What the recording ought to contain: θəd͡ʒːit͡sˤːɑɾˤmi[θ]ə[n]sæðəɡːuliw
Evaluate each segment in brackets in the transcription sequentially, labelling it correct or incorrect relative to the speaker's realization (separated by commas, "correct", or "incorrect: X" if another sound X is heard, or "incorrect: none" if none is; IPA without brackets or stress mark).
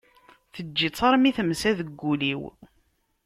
correct, incorrect: m